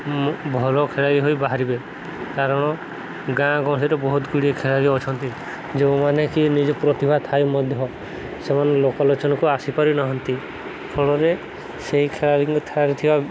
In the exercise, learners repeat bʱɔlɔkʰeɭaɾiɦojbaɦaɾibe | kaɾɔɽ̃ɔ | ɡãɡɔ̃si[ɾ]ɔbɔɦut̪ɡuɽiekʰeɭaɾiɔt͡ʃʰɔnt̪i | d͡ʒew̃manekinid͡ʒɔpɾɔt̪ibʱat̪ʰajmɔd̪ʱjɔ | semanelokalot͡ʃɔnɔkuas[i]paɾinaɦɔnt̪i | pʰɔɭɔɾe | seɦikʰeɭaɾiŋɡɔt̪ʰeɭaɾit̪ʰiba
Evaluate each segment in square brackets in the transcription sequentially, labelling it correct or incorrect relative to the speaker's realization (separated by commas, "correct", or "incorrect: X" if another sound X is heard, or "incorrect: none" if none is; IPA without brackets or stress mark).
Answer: correct, correct